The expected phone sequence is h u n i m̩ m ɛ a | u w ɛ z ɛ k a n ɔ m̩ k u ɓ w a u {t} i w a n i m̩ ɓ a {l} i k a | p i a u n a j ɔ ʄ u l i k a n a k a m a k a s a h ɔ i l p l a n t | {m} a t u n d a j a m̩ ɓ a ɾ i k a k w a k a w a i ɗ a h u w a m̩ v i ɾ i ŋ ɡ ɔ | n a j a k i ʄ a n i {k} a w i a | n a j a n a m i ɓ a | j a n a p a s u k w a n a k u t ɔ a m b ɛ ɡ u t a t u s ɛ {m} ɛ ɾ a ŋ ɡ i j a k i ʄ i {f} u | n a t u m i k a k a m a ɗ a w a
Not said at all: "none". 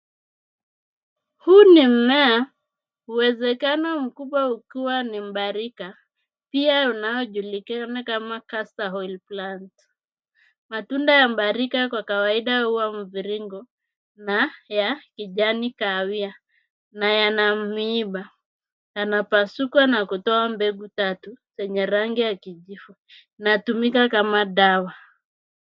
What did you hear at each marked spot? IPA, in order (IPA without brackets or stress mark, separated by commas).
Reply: k, ɾ, m, k, ɲ, f